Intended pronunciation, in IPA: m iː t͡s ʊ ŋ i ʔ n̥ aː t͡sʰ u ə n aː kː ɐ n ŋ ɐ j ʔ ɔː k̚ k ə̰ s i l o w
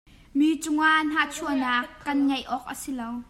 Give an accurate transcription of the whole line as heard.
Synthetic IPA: m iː t͡s ʊ ŋ a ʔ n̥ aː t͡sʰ u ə n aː kː ɐ n ŋ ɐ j ʔ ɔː k̚ ʔ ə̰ s i l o w